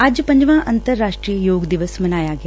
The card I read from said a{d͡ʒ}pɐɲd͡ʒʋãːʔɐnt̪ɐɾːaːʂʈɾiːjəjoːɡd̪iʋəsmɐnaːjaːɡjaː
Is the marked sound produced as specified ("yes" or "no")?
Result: yes